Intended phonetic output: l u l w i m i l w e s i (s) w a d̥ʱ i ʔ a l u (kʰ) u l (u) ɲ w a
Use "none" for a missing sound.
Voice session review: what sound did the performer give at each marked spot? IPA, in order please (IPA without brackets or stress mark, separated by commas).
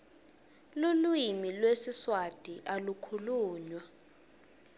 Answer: s, kʰ, uː